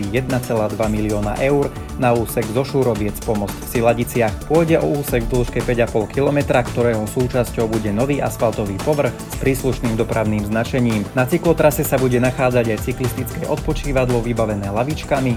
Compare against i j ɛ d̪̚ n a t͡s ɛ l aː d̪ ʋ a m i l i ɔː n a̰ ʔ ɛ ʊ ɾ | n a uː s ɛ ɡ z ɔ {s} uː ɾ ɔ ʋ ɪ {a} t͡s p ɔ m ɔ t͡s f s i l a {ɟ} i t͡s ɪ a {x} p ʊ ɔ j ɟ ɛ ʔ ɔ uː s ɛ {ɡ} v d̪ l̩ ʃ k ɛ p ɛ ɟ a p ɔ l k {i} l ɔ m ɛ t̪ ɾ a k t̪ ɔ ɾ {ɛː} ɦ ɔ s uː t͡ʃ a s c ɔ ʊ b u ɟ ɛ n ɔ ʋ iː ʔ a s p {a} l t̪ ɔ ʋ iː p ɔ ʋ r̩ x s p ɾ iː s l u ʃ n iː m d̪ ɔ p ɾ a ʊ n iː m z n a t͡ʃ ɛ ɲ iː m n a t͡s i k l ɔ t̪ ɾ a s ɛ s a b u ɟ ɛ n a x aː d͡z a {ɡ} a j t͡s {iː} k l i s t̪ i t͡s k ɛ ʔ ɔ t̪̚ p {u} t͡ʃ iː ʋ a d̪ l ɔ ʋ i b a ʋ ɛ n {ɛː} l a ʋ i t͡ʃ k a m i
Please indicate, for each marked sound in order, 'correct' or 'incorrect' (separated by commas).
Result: incorrect, incorrect, correct, correct, correct, correct, correct, correct, incorrect, incorrect, incorrect, correct